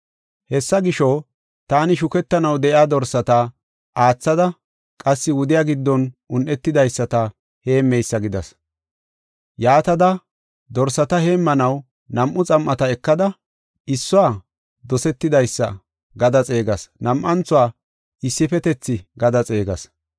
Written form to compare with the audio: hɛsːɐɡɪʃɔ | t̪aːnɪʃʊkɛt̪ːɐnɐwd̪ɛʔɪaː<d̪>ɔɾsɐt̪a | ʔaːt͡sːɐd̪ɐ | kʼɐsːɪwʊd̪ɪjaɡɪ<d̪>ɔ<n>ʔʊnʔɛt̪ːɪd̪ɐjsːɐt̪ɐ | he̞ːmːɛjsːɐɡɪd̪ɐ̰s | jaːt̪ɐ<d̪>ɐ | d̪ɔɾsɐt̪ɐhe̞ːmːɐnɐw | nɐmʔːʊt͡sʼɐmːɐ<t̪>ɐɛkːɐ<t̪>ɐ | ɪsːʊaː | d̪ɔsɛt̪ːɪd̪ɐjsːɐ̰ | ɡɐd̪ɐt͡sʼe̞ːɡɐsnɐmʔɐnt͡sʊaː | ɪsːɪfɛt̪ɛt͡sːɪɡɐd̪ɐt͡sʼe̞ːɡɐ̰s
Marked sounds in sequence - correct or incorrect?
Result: correct, incorrect: d̪ː, correct, correct, correct, incorrect: d̪

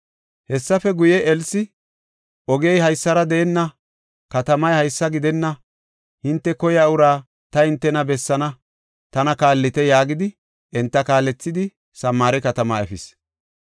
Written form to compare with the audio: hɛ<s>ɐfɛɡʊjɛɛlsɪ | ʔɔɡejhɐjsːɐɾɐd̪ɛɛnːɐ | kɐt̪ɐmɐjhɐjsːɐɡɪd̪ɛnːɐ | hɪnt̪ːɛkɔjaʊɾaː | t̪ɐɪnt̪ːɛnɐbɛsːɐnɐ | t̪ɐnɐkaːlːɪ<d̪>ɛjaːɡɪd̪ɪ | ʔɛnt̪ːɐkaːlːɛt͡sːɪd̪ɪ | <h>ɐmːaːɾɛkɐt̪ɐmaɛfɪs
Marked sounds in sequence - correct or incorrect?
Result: incorrect: sː, incorrect: t̪, incorrect: s

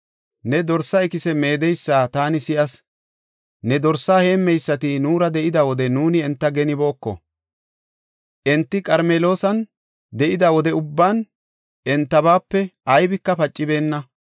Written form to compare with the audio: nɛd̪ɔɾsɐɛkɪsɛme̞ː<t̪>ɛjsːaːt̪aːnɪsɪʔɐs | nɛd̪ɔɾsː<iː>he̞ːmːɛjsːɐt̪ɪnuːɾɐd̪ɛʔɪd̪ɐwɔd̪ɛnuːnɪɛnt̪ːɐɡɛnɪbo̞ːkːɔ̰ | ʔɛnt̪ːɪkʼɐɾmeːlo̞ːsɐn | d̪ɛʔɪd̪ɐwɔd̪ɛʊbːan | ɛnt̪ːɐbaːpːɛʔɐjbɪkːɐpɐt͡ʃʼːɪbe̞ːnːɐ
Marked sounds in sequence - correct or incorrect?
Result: incorrect: d̪, incorrect: aː

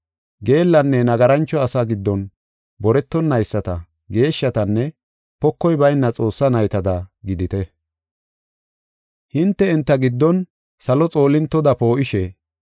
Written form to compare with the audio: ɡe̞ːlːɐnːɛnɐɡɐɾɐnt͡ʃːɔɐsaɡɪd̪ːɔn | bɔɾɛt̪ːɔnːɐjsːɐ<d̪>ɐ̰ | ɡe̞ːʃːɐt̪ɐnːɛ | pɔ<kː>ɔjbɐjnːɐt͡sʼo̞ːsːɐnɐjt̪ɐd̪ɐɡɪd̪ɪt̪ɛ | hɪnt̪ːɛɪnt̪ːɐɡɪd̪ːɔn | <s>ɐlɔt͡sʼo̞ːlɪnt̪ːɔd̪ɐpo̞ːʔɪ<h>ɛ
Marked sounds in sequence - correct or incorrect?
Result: incorrect: t̪, correct, correct, incorrect: ʃ

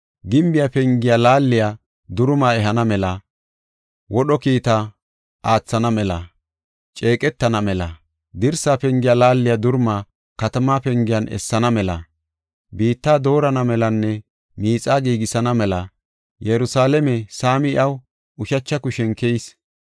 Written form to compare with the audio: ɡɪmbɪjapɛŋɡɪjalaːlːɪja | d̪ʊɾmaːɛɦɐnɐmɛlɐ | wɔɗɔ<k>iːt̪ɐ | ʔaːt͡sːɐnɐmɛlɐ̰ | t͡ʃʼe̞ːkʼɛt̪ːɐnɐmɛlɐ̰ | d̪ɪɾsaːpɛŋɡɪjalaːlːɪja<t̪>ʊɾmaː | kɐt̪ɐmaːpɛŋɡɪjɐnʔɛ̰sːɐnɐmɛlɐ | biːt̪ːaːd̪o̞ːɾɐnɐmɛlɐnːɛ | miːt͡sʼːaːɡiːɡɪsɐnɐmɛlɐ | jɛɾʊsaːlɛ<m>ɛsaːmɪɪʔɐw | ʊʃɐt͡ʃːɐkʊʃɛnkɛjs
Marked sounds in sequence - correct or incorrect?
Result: correct, incorrect: d̪, correct

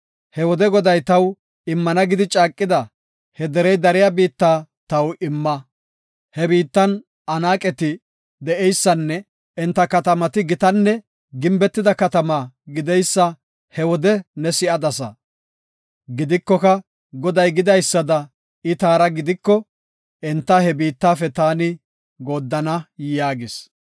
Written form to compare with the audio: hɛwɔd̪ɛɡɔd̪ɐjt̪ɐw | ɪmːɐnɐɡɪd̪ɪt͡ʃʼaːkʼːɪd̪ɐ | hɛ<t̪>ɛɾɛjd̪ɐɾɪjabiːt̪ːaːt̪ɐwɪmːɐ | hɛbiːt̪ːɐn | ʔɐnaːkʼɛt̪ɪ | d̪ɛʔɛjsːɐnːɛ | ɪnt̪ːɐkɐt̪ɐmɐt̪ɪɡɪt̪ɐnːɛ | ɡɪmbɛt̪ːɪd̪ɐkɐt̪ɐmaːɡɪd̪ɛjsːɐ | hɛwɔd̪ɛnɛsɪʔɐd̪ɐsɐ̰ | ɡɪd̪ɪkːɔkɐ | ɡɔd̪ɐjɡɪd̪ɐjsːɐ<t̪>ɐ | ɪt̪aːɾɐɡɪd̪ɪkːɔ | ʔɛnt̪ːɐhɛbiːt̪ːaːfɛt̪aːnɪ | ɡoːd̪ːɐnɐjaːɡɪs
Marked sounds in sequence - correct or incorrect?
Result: incorrect: d̪, incorrect: d̪

